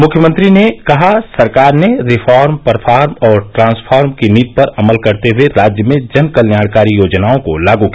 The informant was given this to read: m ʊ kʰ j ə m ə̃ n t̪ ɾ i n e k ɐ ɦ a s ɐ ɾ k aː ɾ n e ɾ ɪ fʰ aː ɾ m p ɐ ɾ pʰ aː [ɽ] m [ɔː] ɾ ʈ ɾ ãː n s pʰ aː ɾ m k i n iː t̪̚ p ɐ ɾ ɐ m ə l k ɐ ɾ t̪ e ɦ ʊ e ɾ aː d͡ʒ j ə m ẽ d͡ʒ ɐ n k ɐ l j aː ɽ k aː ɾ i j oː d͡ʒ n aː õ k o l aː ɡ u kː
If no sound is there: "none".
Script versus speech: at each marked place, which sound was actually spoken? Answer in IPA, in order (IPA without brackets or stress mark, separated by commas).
ɾ, ɔː